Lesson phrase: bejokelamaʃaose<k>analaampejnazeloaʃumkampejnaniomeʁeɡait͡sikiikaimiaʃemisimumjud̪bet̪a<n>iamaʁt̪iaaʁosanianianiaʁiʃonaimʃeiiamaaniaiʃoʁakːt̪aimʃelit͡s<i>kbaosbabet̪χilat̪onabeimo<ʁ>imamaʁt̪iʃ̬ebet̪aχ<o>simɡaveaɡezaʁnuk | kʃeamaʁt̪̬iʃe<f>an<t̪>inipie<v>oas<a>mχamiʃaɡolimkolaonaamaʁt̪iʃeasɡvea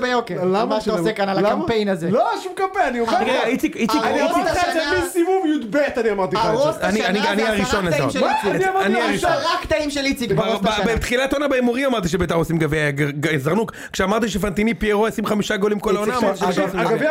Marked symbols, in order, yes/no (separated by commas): yes, yes, yes, yes, yes, yes, yes, no, no